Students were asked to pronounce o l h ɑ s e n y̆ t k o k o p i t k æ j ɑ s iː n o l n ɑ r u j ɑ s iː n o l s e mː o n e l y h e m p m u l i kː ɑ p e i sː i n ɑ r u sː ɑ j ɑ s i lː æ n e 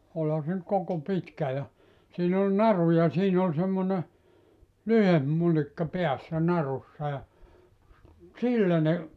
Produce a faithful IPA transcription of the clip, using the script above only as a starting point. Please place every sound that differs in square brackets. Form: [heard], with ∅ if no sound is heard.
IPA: o l h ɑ s e n y̆ t k o k o p i t k æ j ɑ s iː n o l n ɑ r u j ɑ s iː n o l s e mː o n e l y h e m p m u l i kː ɑ p e [æ] sː [æ] n ɑ r u sː ɑ j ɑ s i lː æ n e